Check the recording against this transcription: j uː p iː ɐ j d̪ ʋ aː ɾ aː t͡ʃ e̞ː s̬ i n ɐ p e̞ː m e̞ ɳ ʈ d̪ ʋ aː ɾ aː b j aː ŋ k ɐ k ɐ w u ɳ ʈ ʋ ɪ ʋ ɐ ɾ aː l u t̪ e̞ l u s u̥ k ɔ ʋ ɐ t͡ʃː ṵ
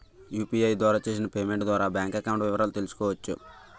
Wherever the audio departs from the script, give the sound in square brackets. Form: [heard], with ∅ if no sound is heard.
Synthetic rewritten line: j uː p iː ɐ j d̪ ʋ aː ɾ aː t͡ʃ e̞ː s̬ i n ɐ p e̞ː m e̞ ɳ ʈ d̪ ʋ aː ɾ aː b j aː ŋ k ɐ k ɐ w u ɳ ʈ ʋ ɪ ʋ ɐ ɾ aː l u t̪ e̞ l u s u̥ k [ɔː] ʋ ɐ t͡ʃː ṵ